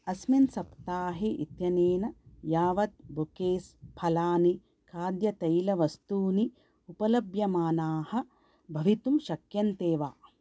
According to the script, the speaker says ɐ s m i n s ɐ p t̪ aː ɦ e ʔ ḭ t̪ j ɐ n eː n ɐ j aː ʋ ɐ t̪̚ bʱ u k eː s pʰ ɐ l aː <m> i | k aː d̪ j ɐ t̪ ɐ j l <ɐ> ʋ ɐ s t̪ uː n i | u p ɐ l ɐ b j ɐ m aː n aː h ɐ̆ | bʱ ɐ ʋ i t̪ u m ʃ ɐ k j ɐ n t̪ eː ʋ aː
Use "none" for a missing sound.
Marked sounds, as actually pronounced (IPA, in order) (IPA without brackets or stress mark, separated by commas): n, ɐ